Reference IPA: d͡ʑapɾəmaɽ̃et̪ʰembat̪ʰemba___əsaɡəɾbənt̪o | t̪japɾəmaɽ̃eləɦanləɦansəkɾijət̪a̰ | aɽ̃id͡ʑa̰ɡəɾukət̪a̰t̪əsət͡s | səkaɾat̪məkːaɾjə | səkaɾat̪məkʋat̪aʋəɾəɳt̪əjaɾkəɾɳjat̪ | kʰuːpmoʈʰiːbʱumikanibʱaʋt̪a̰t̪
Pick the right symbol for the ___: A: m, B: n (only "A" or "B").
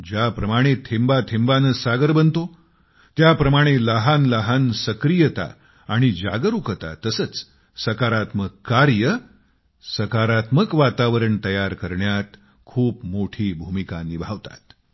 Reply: B